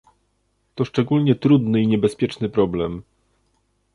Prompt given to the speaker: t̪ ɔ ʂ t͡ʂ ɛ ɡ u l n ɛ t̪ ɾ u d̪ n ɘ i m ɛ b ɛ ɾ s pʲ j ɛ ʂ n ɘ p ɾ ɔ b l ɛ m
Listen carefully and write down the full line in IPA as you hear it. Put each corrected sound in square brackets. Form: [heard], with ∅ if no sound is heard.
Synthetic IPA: t̪ ɔ ʂ t͡ʂ ɛ ɡ u l [ɲ] ɛ t̪ ɾ u d̪ n ɘ i [ɲ] ɛ b ɛ [∅] s pʲ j ɛ [t͡ʂ] n ɘ p ɾ ɔ b l ɛ m

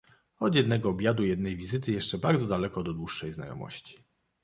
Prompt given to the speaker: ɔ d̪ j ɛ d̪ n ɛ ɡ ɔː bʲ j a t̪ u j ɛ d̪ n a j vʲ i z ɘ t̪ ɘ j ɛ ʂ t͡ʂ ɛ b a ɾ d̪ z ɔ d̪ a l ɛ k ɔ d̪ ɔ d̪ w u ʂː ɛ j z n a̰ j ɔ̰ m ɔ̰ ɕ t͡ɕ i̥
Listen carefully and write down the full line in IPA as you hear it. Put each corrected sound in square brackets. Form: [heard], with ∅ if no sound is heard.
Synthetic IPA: ɔ d̪ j ɛ d̪ n ɛ ɡ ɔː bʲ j a [d̪] u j ɛ d̪ n [ɛ] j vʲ i z ɘ t̪ ɘ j ɛ ʂ t͡ʂ ɛ b a ɾ d̪ z ɔ d̪ a l ɛ k ɔ d̪ ɔ d̪ w u ʂː ɛ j z n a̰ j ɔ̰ m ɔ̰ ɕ t͡ɕ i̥

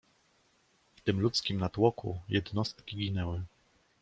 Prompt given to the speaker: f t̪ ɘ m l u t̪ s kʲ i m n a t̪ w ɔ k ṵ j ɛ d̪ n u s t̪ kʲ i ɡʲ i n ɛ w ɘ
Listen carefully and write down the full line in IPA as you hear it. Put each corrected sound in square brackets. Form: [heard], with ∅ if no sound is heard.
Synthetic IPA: f t̪ ɘ m l u t̪ s kʲ i m n a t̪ w ɔ k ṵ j ɛ d̪ n [ɔ] s t̪ kʲ i ɡʲ i n ɛ w ɘ

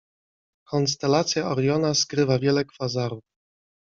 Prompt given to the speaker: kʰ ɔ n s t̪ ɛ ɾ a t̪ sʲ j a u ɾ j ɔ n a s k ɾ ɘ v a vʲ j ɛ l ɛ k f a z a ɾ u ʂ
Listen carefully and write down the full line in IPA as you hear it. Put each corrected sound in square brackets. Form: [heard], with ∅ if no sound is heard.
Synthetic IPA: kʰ ɔ n s t̪ ɛ [l] a t̪ sʲ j a [ɔ] ɾ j ɔ n a s k ɾ ɘ v a vʲ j ɛ l ɛ k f a z a ɾ u [f]

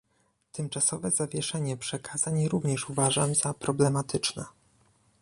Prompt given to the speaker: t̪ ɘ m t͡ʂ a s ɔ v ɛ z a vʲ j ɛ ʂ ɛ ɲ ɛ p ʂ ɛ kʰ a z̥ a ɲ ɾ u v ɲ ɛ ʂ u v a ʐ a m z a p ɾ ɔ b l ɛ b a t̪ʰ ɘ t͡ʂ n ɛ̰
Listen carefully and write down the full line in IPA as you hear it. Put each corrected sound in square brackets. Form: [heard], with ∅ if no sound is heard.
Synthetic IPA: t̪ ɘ m t͡ʂ a s ɔ v ɛ z a vʲ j ɛ ʂ ɛ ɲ ɛ p ʂ ɛ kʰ a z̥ a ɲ ɾ u v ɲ ɛ ʂ u v a ʐ a m z a p ɾ ɔ b l ɛ [m] a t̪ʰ ɘ t͡ʂ n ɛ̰

